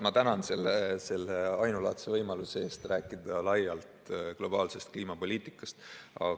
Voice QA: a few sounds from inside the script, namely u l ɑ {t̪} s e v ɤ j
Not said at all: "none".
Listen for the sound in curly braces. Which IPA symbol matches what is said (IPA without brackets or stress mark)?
t̪